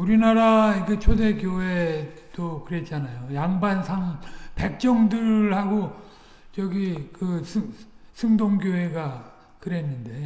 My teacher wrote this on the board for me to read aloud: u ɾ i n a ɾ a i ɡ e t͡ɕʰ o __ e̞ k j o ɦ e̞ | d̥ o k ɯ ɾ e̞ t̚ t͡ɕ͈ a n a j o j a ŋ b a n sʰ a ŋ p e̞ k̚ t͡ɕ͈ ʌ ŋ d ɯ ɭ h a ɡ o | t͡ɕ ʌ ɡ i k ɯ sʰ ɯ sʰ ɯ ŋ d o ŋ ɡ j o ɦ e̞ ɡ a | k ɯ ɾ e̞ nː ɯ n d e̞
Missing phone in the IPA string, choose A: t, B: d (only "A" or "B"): B